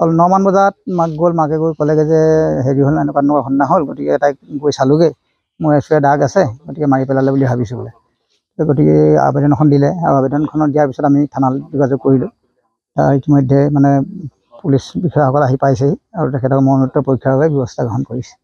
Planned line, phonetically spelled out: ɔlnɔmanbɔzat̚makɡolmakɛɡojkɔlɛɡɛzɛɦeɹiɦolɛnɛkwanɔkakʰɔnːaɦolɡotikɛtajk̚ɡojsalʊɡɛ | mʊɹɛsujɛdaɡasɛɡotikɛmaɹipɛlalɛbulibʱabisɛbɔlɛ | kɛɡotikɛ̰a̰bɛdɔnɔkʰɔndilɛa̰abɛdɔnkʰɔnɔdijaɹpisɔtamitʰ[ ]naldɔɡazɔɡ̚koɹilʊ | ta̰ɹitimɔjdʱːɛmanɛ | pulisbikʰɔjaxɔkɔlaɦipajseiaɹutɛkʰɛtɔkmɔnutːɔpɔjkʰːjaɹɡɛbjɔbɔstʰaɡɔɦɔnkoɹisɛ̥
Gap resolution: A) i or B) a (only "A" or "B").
B